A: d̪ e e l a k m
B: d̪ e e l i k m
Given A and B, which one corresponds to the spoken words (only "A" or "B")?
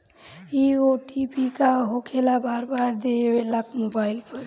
A